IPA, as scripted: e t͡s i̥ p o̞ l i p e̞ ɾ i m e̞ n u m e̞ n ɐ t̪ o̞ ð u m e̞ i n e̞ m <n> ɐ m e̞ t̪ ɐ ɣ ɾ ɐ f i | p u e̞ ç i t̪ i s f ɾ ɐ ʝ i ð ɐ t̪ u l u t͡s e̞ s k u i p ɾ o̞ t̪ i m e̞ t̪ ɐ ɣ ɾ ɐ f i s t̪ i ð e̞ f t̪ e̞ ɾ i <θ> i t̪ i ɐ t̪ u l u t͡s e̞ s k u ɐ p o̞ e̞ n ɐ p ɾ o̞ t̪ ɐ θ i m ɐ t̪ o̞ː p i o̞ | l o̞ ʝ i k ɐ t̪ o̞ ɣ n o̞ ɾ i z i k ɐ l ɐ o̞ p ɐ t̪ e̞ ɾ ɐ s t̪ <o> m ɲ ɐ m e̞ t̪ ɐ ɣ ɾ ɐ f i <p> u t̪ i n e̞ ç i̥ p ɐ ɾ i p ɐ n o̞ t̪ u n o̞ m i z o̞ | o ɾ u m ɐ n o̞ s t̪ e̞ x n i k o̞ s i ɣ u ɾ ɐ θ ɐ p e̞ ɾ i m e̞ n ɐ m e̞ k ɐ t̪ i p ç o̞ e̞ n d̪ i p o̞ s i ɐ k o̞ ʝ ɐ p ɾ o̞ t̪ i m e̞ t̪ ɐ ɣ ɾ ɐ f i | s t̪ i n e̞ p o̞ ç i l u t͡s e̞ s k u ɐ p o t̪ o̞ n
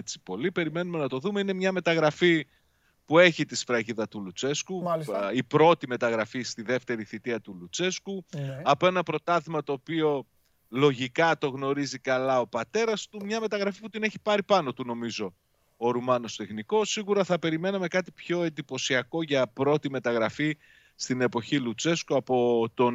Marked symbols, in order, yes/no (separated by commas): no, yes, no, yes